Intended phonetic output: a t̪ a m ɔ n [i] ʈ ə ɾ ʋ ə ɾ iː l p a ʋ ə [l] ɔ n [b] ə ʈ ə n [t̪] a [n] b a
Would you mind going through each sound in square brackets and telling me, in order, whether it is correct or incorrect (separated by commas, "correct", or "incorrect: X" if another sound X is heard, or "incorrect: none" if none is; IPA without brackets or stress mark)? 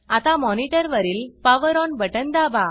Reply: correct, incorrect: ɾ, correct, incorrect: d̪, incorrect: none